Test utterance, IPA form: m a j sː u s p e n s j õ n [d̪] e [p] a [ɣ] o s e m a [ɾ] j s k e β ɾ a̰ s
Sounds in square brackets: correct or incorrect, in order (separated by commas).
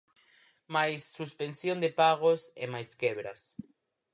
correct, correct, correct, incorrect